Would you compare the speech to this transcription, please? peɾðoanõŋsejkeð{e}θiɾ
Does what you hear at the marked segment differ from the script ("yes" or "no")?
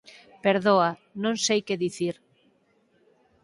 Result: yes